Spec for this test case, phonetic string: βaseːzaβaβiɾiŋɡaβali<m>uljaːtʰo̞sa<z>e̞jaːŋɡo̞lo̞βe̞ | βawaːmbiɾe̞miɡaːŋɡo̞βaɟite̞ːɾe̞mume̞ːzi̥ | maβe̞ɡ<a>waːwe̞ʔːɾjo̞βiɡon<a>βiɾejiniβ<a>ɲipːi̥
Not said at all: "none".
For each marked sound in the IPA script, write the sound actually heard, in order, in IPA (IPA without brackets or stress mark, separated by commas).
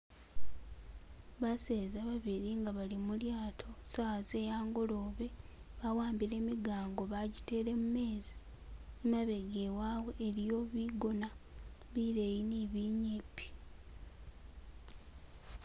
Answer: m, z, e, a, i